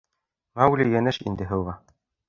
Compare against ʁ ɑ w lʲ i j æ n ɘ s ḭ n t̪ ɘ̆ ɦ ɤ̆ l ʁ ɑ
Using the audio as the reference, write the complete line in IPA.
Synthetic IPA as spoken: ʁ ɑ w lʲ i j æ n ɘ ʃ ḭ n d̪ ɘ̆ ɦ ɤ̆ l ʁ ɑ